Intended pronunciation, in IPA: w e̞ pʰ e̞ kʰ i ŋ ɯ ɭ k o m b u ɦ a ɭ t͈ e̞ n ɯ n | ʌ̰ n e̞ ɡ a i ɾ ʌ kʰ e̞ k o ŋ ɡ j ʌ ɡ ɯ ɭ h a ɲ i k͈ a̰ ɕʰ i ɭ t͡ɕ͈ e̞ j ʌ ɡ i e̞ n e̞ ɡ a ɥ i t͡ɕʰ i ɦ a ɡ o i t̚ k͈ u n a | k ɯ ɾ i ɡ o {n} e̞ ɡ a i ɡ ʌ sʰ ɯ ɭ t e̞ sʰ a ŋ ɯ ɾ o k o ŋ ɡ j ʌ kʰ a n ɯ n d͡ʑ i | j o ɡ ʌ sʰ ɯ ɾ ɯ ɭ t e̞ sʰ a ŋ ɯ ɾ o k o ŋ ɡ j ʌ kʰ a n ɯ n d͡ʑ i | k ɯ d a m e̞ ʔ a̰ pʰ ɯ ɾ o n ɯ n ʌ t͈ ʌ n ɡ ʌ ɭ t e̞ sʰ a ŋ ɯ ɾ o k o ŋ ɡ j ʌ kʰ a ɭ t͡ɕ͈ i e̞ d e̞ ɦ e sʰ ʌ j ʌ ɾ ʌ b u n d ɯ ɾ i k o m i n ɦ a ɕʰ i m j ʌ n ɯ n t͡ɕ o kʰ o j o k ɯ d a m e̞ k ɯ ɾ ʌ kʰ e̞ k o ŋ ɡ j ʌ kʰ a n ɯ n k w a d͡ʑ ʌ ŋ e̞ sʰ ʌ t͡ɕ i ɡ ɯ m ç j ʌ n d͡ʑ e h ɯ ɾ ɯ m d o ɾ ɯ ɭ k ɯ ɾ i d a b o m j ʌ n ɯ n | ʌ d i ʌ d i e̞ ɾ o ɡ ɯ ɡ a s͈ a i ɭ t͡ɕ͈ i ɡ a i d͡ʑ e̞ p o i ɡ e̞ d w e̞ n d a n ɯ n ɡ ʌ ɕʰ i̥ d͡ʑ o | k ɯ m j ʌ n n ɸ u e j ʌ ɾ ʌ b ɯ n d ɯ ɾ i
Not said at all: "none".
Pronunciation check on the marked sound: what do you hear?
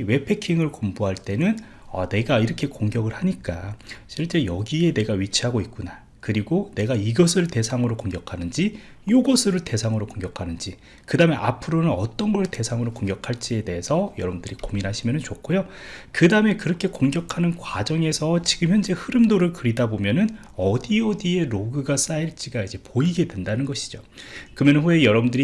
n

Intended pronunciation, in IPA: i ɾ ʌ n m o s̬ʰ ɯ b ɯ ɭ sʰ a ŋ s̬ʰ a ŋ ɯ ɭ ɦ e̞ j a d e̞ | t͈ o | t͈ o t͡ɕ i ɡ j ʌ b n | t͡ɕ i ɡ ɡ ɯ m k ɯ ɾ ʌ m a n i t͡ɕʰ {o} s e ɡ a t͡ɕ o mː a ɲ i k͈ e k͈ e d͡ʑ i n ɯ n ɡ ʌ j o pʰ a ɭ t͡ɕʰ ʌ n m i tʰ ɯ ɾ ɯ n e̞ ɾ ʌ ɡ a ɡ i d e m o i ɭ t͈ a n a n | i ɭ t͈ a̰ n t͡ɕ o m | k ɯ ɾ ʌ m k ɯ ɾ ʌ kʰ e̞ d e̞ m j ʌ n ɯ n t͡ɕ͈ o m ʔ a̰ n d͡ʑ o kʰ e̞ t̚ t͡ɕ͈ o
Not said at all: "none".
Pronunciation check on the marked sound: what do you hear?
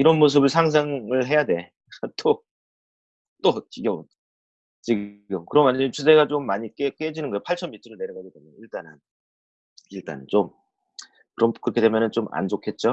u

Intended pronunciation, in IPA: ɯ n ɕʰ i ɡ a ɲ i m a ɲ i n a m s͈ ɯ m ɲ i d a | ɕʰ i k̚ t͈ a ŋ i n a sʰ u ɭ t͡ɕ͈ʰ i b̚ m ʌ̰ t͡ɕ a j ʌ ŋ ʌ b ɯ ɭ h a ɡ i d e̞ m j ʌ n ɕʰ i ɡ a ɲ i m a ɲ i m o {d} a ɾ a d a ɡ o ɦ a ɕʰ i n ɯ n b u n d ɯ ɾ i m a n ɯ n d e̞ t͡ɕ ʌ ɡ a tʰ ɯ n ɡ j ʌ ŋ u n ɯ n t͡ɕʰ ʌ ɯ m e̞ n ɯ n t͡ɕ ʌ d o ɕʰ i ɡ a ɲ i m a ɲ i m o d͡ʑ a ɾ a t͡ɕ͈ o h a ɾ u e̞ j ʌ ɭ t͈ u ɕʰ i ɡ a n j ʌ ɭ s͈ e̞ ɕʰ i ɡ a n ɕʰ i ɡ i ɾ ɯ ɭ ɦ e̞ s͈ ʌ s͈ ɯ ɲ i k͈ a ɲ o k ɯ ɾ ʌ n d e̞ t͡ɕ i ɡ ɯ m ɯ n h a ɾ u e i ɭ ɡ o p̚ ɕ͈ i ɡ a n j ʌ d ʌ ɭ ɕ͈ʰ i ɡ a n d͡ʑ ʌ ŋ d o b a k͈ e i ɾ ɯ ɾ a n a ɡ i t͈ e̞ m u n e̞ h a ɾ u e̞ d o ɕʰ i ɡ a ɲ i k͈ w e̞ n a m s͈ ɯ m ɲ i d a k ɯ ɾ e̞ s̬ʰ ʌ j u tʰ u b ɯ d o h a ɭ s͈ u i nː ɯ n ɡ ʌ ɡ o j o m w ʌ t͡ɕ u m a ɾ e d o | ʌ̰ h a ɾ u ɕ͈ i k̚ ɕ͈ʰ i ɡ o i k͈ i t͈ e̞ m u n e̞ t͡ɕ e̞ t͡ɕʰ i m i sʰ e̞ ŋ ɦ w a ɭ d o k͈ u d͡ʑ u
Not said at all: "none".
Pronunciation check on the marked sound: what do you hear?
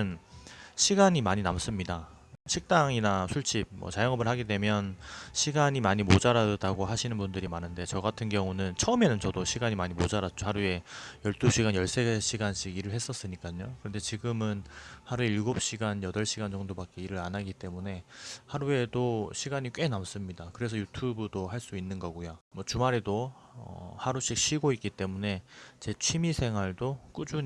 d͡ʑ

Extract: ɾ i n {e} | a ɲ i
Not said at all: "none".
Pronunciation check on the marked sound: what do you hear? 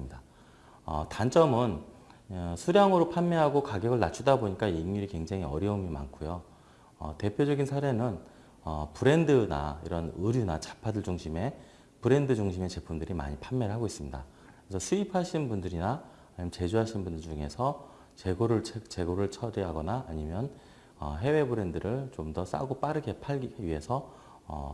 a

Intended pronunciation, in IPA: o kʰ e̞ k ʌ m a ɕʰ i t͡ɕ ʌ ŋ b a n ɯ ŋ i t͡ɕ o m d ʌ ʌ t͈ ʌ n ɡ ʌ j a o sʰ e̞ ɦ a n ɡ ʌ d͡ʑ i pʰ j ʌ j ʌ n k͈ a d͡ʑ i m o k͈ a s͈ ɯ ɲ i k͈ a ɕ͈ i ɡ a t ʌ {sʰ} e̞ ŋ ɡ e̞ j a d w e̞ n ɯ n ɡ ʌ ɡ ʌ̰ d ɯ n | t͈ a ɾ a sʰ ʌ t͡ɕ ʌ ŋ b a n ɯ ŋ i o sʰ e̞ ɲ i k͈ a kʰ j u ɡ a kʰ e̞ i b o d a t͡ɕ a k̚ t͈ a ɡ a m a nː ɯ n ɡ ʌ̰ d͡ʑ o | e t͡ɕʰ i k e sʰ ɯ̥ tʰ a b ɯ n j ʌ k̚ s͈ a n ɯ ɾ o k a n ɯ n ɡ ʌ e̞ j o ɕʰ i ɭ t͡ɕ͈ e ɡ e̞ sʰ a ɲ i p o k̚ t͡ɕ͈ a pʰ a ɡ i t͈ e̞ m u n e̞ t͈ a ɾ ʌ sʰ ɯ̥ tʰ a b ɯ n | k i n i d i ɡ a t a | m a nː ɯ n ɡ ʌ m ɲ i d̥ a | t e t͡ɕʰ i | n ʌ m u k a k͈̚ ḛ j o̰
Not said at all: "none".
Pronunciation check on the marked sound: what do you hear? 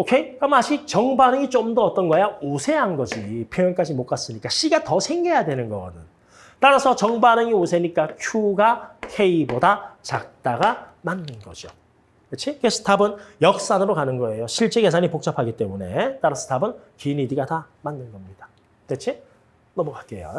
sʰ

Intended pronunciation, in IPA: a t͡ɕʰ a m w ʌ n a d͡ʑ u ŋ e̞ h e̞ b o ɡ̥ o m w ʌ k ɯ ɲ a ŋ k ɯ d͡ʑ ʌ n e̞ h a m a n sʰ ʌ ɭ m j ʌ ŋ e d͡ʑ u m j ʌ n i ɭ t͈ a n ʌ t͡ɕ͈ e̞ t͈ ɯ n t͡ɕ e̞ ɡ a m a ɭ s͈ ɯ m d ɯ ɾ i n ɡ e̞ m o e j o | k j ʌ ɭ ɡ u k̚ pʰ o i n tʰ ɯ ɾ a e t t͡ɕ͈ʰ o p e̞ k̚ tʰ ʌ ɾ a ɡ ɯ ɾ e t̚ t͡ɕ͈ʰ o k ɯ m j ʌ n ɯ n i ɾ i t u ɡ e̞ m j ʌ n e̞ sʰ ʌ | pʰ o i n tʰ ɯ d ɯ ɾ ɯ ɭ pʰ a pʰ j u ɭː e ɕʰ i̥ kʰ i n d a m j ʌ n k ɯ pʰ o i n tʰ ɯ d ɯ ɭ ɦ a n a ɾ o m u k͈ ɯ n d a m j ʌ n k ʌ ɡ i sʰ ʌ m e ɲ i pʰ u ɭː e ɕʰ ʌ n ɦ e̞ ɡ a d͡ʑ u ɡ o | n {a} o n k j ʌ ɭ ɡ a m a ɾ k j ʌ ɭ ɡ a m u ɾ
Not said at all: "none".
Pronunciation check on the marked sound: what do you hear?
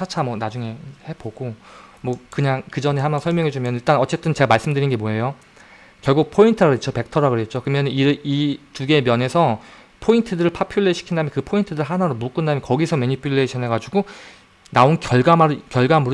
a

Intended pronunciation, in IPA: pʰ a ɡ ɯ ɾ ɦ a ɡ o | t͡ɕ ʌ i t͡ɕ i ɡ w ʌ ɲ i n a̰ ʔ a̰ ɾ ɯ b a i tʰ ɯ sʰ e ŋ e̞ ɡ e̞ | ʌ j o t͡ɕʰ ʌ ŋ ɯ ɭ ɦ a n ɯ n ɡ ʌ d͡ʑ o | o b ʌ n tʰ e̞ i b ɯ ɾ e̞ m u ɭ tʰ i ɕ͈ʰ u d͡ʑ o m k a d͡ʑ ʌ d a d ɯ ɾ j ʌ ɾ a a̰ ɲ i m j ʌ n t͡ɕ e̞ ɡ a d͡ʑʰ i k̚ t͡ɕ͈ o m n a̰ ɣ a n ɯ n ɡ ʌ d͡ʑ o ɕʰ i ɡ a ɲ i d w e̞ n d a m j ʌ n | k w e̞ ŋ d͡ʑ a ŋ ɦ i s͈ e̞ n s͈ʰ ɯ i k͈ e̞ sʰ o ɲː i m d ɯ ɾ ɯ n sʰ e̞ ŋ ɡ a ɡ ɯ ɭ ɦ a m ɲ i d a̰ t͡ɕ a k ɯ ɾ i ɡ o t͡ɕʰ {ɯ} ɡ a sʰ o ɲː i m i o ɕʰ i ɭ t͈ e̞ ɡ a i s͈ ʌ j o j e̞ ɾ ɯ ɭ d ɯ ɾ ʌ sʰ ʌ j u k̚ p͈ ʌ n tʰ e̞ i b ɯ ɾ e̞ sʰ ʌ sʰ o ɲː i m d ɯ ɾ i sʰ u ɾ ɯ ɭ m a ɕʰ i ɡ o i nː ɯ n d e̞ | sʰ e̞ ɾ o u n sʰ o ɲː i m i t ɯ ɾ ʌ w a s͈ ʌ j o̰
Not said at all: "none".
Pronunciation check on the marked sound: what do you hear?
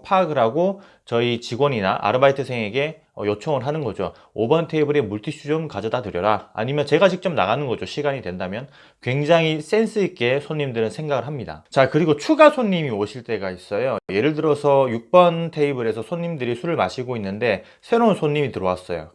u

